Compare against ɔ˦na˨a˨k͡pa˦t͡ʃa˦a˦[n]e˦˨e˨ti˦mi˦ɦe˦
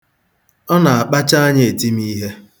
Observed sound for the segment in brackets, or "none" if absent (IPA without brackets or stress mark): ɲ